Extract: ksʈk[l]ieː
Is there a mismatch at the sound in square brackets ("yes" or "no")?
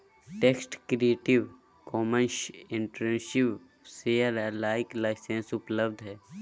yes